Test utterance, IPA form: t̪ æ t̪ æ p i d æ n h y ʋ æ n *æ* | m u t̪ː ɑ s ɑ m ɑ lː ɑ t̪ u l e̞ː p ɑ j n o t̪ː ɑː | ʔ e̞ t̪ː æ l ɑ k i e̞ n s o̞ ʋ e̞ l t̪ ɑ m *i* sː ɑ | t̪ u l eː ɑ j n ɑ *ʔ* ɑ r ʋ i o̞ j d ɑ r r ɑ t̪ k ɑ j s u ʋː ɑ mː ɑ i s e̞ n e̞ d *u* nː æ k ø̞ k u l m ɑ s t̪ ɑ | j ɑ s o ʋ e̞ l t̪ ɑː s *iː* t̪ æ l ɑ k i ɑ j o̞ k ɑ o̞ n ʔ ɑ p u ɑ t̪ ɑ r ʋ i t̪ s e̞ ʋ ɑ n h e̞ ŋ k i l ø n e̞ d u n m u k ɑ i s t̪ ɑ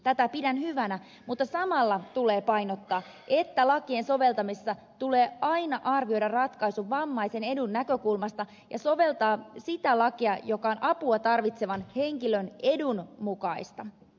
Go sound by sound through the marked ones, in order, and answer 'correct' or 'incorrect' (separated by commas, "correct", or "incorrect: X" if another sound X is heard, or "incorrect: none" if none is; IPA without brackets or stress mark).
correct, correct, correct, correct, incorrect: i